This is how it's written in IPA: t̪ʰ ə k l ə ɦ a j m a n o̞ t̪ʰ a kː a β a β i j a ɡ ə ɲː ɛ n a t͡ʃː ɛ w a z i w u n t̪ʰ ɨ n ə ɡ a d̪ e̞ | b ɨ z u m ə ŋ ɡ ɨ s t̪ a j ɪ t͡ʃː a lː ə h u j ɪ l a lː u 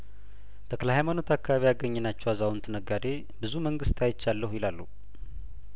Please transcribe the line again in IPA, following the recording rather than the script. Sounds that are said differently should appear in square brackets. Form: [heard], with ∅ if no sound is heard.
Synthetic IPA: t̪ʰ ə k l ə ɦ a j m a n o̞ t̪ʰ a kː a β a β i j a ɡ ə ɲː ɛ n a t͡ʃː ɛ w a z [a] w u n t̪ʰ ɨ n ə ɡ a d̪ e̞ | b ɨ z u m ə ŋ ɡ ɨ s t̪ a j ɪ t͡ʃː a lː ə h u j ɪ l a lː u